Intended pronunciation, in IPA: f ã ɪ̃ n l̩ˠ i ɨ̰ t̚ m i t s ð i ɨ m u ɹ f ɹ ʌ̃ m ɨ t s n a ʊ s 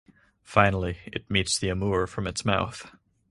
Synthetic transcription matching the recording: f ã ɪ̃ n l̩ˠ i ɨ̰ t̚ m i t s ð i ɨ m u ɹ f ɹ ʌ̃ m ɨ t s m a ʊ θ